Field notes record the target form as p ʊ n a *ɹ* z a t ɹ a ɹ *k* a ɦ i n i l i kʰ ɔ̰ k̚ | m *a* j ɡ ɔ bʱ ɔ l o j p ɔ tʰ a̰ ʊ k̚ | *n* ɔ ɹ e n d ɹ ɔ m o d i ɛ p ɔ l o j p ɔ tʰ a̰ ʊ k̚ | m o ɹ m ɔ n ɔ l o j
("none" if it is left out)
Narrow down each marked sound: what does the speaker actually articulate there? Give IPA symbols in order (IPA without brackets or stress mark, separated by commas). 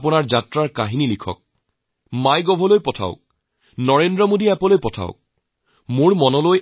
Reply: ɹ, k, a, n